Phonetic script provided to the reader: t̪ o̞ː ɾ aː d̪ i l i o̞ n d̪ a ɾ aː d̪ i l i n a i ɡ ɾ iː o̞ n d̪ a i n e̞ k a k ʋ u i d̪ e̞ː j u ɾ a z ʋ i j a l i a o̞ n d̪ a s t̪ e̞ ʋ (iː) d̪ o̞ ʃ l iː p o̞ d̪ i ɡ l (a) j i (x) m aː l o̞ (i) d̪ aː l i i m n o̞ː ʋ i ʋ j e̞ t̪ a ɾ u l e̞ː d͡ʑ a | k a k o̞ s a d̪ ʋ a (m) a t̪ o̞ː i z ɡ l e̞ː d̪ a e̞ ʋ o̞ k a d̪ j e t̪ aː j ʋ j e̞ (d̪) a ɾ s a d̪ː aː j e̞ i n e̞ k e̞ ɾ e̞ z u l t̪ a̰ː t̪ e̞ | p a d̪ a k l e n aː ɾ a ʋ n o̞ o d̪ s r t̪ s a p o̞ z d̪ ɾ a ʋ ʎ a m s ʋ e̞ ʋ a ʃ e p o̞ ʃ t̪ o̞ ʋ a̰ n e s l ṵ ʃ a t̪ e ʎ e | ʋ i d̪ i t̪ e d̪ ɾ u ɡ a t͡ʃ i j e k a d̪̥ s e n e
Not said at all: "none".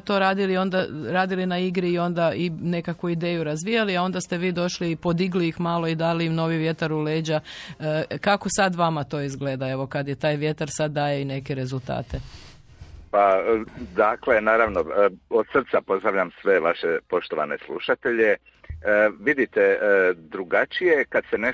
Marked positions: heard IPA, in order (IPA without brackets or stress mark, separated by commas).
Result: iː, i, x, i, m, t̪